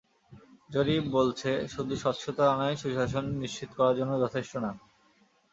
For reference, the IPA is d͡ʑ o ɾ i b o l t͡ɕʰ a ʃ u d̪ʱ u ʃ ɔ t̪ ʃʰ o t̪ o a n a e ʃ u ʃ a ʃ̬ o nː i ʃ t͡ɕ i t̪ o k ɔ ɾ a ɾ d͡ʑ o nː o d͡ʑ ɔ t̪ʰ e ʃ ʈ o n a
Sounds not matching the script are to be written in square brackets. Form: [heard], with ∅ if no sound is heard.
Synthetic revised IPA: d͡ʑ o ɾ i b o l t͡ɕʰ [e] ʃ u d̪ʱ u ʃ ɔ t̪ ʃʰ o t̪ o a n a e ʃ u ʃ a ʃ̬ o nː i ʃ t͡ɕ i t̪ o k ɔ ɾ a ɾ d͡ʑ o nː o d͡ʑ ɔ t̪ʰ e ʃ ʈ o n a